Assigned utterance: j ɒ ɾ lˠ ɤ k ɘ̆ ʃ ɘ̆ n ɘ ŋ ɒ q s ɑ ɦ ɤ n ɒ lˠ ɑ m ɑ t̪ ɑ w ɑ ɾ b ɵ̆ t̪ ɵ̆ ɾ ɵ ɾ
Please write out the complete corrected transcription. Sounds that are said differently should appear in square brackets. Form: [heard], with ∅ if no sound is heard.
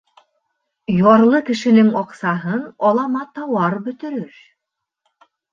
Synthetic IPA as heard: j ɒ ɾ lˠ ɤ k ɘ̆ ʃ ɘ̆ n ɘ ŋ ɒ q s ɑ ɦ ɤ n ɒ lˠ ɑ m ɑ t̪ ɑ w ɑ ɾ b ɵ̆ t̪ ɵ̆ ɾ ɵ ɾ